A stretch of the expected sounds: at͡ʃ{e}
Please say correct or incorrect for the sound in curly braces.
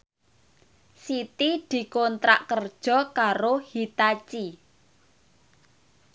incorrect